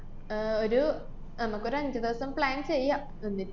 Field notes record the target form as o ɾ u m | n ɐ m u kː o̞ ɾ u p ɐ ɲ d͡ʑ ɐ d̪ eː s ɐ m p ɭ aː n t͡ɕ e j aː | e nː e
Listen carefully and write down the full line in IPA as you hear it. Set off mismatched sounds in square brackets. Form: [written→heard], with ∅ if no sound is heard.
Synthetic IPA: o ɾ u [m→∅] | n ɐ m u kː o̞ ɾ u [p→∅] ɐ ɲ d͡ʑ ɐ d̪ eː s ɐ m p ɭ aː n t͡ɕ e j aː | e nː [e→i]